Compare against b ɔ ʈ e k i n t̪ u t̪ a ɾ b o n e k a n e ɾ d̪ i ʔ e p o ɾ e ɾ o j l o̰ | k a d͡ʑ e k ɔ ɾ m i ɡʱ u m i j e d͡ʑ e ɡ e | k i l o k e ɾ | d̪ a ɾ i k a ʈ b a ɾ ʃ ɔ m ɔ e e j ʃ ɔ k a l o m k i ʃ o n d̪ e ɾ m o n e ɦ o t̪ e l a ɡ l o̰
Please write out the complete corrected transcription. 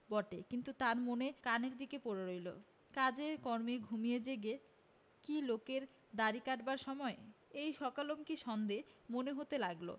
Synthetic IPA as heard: b ɔ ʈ e k i n t̪ u t̪ a ɾ m o n e k a n e ɾ d̪ i k e p o ɾ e ɾ o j l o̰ | k a d͡ʑ e k ɔ ɾ m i ɡʱ u m i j e d͡ʑ e ɡ e | k i l o k e ɾ | d̪ a ɾ i k a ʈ b a ɾ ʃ ɔ m ɔ e e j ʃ ɔ k a l o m k i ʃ ɔ n d̪ e m o n e ɦ o t̪ e l a ɡ l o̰